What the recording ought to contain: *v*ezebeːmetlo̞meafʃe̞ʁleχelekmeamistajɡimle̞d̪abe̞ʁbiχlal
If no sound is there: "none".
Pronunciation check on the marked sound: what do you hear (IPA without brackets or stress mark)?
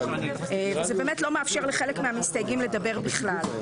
v